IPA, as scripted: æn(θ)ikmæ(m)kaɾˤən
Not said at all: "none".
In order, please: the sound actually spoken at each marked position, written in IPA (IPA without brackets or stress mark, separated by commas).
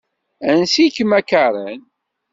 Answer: s, none